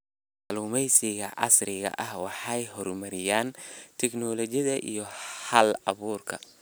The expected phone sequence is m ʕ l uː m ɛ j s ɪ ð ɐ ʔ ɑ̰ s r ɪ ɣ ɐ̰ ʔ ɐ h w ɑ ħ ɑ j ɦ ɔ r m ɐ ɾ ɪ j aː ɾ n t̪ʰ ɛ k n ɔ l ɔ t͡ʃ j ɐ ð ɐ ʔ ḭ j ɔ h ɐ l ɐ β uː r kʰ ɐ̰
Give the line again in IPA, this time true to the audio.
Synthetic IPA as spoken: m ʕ l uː m ɛ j s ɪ ɣ ɐ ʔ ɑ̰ s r ɪ ɣ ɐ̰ ʔ ɐ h w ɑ ħ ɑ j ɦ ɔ r m ɐ ɾ ɪ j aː n t̪ʰ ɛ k n ɔ l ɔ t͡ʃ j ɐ ð ɐ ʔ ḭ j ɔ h ɐ l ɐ β uː r kʰ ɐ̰